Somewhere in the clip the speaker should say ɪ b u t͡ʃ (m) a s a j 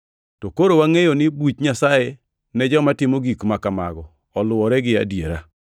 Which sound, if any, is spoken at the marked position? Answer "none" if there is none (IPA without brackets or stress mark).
ɲ